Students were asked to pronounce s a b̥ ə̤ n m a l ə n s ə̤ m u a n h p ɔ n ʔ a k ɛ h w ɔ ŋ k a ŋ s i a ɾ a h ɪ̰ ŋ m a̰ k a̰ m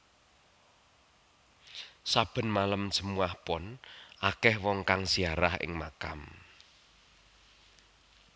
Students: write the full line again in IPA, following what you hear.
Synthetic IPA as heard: s a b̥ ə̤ n m a l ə m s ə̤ m u a h p ɔ n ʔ a k ɛ h w ɔ ŋ k a ŋ s i a ɾ a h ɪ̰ ŋ m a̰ k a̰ m